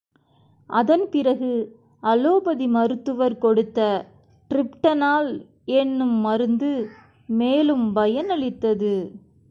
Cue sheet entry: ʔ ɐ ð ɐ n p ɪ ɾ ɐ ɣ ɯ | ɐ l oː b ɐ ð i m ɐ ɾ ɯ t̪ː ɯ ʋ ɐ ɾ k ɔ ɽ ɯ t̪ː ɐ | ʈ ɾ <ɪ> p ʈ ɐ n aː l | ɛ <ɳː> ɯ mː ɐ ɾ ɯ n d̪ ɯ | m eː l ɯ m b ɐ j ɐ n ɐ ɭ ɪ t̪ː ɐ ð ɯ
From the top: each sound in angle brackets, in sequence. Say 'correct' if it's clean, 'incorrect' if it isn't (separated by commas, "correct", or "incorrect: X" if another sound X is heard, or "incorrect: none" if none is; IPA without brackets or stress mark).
correct, incorrect: nː